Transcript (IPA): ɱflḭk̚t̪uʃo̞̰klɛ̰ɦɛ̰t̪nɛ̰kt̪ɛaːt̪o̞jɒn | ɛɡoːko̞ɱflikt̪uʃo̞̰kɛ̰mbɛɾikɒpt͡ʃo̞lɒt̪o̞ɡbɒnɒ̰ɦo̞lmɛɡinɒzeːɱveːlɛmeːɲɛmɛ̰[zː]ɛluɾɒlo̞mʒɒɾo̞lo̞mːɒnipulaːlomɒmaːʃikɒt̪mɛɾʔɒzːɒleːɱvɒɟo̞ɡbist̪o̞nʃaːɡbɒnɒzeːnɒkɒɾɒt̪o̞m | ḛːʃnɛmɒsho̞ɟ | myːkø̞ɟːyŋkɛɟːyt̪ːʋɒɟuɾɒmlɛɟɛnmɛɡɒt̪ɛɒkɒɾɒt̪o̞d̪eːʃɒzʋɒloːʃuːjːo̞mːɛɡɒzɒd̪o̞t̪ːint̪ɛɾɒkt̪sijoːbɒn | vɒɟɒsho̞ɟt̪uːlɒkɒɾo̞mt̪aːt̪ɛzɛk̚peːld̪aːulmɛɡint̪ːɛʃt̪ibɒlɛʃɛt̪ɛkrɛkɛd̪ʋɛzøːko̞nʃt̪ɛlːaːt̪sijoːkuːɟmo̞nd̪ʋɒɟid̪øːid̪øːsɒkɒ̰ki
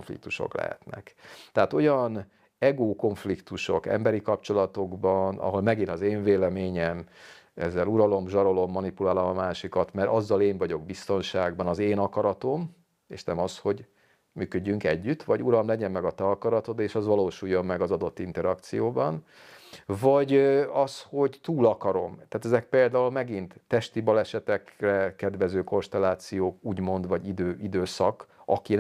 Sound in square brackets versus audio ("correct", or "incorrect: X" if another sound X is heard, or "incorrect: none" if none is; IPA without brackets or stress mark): correct